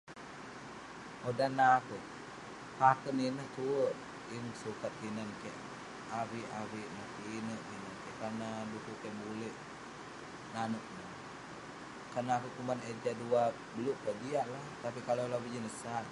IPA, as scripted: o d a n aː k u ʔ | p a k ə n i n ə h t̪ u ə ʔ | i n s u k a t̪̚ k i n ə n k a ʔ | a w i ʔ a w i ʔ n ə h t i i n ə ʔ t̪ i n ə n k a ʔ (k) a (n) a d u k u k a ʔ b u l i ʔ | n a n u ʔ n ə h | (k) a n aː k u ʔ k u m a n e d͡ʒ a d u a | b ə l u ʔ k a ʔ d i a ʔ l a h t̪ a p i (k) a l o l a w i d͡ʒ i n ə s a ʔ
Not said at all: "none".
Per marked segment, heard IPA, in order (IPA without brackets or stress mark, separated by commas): k, n, k, k